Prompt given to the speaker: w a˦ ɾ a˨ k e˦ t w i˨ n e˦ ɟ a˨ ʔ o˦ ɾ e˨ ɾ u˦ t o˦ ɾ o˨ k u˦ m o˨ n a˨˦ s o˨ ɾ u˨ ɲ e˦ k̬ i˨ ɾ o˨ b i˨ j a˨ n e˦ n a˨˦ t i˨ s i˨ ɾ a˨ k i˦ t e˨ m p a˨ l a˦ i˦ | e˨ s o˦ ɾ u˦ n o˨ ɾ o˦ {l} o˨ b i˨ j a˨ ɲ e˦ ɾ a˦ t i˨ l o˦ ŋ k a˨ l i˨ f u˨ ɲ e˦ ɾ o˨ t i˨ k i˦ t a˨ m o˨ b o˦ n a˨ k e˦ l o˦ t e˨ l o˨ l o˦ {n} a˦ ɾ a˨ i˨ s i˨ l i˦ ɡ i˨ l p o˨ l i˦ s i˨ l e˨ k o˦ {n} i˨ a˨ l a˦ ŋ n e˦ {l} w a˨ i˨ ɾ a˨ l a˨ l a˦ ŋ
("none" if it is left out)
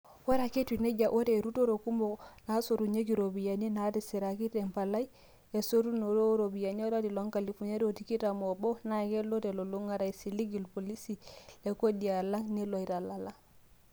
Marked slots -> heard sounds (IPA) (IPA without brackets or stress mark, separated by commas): ɾ, ŋ, d, l